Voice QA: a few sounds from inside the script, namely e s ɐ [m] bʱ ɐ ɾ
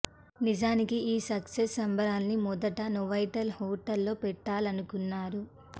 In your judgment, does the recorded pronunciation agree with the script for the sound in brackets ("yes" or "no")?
yes